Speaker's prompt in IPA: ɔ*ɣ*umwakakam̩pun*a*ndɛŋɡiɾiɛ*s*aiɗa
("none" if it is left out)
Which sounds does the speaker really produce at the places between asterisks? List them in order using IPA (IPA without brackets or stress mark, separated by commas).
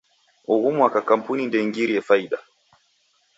ɣ, i, f